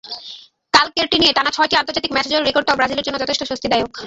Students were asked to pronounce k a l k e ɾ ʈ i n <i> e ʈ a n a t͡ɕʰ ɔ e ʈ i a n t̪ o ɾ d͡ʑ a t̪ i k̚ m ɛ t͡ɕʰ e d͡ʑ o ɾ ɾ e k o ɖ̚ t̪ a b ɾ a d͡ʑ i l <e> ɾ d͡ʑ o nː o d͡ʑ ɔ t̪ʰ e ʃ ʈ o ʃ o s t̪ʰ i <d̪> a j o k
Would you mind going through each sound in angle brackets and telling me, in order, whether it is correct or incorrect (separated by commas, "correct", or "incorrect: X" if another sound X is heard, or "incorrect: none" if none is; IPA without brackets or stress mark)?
correct, correct, correct